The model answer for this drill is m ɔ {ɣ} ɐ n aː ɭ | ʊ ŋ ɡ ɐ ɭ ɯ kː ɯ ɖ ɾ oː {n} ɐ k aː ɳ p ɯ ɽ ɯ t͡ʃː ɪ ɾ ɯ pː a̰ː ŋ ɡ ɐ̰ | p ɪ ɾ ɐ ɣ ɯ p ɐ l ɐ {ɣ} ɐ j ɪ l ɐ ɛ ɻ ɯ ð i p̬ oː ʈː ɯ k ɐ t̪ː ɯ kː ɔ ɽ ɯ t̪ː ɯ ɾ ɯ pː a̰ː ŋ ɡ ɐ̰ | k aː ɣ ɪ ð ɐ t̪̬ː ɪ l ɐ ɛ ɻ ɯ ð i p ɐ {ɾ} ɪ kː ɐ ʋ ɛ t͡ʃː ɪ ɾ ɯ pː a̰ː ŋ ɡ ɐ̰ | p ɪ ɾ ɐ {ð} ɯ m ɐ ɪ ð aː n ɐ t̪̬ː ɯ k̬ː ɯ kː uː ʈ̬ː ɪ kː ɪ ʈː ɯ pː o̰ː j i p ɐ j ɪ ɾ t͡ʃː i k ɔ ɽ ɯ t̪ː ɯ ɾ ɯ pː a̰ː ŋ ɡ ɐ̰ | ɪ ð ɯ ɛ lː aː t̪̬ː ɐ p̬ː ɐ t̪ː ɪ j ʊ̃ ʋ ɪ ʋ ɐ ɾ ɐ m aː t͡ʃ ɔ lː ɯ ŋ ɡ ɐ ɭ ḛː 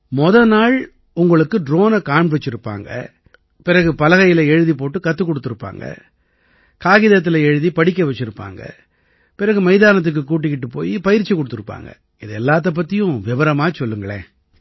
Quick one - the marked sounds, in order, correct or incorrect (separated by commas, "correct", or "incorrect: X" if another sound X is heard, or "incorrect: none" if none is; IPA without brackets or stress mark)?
incorrect: ð, correct, correct, incorrect: ɽ, incorrect: ɣ